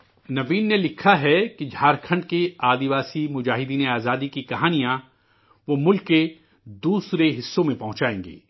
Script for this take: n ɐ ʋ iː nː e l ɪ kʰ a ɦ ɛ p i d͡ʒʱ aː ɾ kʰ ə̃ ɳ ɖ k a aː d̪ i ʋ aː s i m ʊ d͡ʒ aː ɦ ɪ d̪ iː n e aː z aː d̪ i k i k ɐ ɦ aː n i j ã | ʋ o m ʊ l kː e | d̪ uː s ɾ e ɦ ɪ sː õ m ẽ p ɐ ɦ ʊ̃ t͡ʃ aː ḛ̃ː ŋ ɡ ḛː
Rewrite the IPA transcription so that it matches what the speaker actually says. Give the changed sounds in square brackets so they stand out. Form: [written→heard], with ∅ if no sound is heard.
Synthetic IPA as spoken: n ɐ ʋ iː nː e l ɪ kʰ a ɦ ɛ [p→k] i d͡ʒʱ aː ɾ kʰ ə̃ ɳ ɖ k [a→e] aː d̪ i ʋ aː s i m ʊ d͡ʒ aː ɦ ɪ d̪ iː n e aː z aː d̪ i k i k ɐ ɦ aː n i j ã | ʋ o m ʊ l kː e | d̪ uː s ɾ e ɦ ɪ sː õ m ẽ p ɐ ɦ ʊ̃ t͡ʃ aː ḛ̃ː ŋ ɡ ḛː